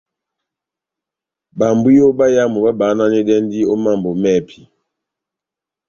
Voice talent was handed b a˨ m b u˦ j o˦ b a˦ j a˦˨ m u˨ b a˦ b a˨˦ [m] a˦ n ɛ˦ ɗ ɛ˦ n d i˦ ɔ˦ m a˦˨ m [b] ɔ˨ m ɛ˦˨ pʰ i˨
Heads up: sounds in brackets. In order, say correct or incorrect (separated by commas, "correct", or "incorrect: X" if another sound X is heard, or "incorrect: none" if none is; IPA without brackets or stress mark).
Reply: incorrect: n, correct